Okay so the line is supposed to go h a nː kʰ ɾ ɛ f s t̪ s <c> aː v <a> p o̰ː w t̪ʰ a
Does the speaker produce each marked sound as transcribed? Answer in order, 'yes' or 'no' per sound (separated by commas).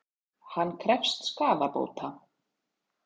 no, yes